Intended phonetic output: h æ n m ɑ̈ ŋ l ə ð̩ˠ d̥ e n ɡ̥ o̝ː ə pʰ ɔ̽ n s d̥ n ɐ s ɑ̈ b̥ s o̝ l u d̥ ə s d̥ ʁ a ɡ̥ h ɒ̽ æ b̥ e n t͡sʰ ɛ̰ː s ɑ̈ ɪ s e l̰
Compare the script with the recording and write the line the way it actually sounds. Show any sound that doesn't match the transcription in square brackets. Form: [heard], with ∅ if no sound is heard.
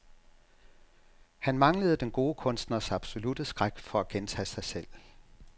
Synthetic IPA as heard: h æ n m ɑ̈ ŋ l ə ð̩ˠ d̥ e n ɡ̥ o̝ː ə [kʰ] ɔ̽ n s d̥ n ɐ s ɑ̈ b̥ s o̝ l u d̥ ə s [ɡ̥] ʁ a ɡ̥ [f] ɒ̽ æ [ɡ̥] e n t͡sʰ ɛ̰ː s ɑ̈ ɪ s e l̰